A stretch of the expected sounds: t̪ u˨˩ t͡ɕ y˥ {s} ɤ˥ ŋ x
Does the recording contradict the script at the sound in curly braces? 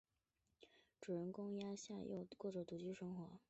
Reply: yes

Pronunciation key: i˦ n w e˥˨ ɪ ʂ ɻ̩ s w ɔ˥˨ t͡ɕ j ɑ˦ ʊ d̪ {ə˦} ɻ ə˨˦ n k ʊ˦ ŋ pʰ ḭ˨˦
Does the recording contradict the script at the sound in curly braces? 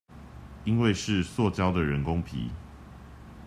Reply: yes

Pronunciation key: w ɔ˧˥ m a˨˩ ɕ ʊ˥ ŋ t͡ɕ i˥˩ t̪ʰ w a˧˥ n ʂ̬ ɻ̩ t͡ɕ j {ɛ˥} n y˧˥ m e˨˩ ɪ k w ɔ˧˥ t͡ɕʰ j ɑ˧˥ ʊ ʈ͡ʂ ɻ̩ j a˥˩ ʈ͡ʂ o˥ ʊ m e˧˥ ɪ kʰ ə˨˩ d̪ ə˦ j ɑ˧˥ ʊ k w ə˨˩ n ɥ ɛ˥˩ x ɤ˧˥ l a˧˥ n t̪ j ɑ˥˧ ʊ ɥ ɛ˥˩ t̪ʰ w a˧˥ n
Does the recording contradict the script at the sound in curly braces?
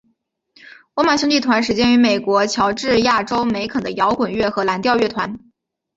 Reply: no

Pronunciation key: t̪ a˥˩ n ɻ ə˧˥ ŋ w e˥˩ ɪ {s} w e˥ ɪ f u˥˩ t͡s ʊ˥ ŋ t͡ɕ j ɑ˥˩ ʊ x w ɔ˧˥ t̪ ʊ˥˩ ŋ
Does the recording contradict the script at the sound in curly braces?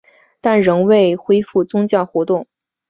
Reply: yes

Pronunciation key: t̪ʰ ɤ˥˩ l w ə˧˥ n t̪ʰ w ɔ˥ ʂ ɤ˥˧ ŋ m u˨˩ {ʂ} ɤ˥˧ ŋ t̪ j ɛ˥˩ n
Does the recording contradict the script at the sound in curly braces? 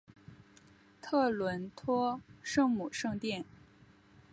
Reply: no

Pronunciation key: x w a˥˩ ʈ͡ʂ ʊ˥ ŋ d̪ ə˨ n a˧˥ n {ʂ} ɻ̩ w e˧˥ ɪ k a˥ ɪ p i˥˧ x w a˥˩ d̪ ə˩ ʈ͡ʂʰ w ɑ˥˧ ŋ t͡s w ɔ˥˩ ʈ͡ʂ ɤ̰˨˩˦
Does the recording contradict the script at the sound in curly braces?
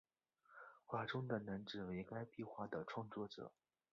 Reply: yes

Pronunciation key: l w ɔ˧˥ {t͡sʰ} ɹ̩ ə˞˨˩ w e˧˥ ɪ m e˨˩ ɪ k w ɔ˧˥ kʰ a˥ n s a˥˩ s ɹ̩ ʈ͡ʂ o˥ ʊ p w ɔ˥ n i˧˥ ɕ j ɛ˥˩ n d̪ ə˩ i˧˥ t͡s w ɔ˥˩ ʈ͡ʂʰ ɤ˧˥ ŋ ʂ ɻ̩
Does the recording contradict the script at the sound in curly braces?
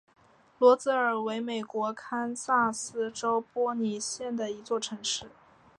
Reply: yes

